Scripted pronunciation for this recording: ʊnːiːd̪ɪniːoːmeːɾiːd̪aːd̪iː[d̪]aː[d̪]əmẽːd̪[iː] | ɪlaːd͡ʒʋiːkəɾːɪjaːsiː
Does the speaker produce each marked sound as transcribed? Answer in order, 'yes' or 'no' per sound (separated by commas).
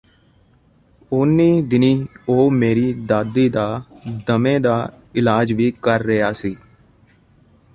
yes, yes, no